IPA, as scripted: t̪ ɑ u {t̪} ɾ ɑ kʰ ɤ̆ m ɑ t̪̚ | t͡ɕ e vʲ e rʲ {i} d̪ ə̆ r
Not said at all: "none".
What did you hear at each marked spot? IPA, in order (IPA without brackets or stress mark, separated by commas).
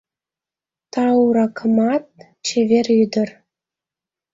none, y